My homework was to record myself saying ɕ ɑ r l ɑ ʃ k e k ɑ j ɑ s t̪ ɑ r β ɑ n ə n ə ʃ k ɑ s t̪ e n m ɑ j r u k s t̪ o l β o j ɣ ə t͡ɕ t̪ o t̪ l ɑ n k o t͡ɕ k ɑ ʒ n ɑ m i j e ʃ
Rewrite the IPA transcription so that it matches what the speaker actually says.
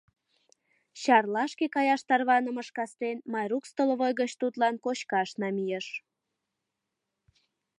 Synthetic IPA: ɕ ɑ r l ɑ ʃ k e k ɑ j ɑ ʃ t̪ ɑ r β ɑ n ə m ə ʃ k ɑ s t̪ e n m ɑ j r u k s t̪ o l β o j ɣ ə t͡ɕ t̪ u t̪ l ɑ n k o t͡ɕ k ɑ ʃ n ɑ m i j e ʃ

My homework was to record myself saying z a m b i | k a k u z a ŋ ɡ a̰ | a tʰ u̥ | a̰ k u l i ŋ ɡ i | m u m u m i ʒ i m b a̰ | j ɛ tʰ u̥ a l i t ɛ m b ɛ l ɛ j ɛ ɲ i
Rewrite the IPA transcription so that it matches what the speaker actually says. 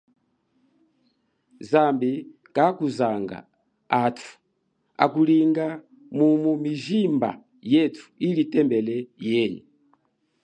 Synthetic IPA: z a m b i | k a k u z a ŋ ɡ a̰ | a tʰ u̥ | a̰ k u l i ŋ ɡ a | m u m u m i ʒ i m b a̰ | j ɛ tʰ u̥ i l i t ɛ m b ɛ l ɛ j ɛ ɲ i

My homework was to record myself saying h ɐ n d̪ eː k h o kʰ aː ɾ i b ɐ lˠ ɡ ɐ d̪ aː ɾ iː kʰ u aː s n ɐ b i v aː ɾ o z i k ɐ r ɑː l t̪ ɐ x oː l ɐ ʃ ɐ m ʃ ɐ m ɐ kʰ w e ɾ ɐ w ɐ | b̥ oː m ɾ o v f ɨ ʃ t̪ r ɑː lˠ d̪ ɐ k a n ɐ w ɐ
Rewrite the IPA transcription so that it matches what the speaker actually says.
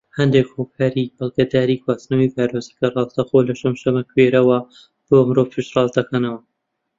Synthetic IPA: h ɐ n d̪ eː k h o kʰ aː ɾ i b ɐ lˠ ɡ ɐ d̪ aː ɾ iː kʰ w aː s n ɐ w i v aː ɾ o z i k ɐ r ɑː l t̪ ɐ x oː l ɐ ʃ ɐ m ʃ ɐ m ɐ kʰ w e ɾ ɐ w ɐ | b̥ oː m ɾ o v f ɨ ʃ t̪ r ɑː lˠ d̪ ɐ k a n ɐ w ɐ

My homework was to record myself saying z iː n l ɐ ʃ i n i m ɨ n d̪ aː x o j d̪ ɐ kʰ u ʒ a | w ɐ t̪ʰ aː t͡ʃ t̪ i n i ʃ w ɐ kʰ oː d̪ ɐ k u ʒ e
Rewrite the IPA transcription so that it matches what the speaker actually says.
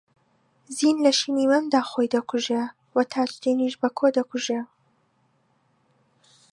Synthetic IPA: z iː n l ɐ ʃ i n i m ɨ n d̪ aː x o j d̪ ɐ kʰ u ʒ e | w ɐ t̪ʰ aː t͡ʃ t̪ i n i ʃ b ɐ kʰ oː d̪ ɐ k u ʒ e

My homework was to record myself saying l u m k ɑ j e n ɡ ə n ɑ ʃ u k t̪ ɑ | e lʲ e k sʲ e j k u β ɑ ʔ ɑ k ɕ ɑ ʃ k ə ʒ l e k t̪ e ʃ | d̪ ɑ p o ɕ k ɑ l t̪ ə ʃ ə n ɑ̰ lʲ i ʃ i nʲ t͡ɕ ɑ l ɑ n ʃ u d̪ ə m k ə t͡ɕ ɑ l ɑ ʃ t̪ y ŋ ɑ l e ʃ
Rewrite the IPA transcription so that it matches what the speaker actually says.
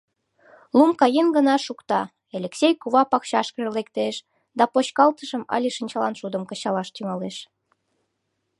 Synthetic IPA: l u m k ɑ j e n ɡ ə n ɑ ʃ u k t̪ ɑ | e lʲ e k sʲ e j k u β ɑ p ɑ k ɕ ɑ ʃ k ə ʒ l e k t̪ e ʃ | d̪ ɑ p o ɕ k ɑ l t̪ ə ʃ ə m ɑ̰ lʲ i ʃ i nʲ t͡ɕ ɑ l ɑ n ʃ u d̪ ə m k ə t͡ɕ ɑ l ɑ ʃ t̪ y ŋ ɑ l e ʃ

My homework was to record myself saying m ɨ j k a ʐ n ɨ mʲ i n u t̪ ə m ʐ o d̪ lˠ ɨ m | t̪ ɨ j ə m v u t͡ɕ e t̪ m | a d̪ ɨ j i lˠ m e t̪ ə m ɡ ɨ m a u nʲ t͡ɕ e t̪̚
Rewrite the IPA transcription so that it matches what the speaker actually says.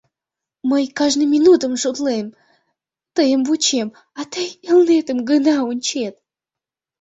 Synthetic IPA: m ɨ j k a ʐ n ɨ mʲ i n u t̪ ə m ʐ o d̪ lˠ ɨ m | t̪ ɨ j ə m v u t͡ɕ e m | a t̪ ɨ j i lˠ n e t̪ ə m ɡ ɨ n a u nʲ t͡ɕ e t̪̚

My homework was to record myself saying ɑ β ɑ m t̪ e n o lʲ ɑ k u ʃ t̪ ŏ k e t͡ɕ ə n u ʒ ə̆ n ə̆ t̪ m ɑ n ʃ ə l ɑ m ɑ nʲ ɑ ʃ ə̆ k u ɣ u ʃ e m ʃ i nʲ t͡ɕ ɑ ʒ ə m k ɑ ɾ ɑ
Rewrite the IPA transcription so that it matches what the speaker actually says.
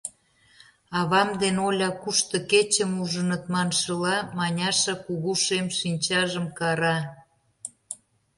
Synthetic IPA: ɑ β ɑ m d̪ e n o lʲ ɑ k u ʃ t̪ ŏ k e t͡ɕ ə m u ʒ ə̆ n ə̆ t̪ m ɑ n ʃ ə l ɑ m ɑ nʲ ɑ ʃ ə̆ k u ɣ u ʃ e m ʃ i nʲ t͡ɕ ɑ ʒ ə m k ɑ ɾ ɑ

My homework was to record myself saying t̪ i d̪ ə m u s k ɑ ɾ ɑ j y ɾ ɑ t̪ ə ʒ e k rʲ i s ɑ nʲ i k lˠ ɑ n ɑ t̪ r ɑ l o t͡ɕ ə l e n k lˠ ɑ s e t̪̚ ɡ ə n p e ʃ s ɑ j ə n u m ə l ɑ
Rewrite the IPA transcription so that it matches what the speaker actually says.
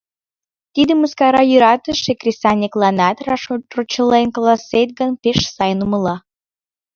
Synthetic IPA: t̪ i d̪ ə m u s k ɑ ɾ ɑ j y ɾ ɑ t̪ ə ʃ e k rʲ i s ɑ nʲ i k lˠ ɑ n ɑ t̪ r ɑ r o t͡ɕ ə l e n k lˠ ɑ s e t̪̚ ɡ ə n p e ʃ s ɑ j ə n u m ə l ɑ

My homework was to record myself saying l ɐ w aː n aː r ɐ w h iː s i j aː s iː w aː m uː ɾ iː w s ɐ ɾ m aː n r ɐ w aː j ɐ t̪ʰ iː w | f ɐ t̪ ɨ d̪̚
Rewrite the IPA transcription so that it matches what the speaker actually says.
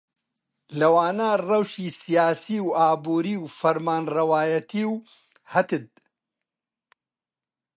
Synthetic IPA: l ɐ w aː n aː r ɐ w ʃ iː s i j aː s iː w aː b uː ɾ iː w f ɐ ɾ m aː n r ɐ w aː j ɐ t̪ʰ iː w | h ɐ t̪ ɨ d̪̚

